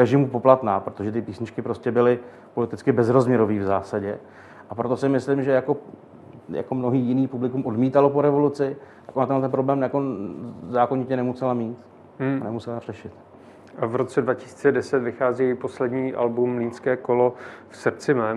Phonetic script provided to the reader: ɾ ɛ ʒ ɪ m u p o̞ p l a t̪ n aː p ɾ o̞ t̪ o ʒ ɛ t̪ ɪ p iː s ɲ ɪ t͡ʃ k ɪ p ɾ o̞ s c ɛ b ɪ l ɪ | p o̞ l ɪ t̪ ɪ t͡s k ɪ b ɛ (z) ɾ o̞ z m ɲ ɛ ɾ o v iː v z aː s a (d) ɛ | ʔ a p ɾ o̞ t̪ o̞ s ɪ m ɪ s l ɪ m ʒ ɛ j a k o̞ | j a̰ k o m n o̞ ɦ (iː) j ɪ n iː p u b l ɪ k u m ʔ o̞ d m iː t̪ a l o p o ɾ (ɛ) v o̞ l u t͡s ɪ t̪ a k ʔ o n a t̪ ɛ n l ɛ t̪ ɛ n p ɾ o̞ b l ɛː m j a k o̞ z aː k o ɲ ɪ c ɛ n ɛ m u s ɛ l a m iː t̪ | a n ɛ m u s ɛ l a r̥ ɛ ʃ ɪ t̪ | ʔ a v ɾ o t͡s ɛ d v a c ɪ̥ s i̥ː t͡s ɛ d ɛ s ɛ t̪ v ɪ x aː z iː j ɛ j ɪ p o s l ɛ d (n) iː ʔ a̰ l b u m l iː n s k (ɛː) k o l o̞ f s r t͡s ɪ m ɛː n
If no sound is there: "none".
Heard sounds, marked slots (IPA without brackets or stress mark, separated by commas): z, ɟ, iː, ɛ, ɲ, ɛː